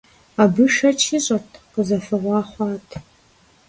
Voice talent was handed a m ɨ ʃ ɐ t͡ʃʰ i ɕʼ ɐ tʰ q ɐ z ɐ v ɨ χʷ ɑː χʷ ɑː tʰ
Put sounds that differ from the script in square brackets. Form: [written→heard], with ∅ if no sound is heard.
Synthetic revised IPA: a [m→b] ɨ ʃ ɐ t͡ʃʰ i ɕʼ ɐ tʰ q [ɐ→ə] z ɐ [v→f] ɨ [χʷ→ʁʷ] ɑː χʷ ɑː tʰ